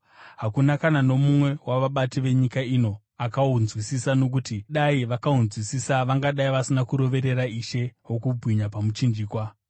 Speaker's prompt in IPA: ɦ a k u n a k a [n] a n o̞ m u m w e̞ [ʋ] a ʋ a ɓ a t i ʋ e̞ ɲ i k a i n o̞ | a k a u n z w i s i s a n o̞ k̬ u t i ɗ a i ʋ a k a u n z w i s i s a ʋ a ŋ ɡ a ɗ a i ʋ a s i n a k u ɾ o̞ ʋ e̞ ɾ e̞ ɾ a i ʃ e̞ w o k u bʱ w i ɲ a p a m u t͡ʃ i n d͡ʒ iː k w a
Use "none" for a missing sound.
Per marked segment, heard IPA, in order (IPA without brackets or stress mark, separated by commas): n, w